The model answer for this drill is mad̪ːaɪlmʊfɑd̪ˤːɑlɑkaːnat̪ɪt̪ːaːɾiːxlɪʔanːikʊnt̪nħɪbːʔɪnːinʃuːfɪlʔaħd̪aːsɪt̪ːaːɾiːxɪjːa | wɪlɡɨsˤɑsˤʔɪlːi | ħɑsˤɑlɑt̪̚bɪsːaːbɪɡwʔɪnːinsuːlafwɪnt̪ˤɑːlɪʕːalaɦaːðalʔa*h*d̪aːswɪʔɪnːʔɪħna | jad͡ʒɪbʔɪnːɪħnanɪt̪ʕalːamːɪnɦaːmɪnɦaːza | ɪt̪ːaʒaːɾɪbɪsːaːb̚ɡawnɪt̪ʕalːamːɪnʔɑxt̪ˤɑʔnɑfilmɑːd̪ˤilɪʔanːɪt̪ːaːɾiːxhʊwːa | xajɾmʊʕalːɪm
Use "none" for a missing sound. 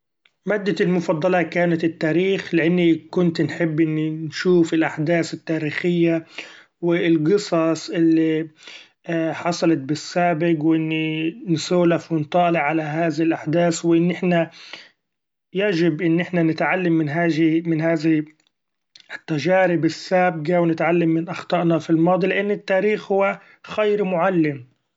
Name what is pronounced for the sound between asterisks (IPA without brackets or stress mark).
ħ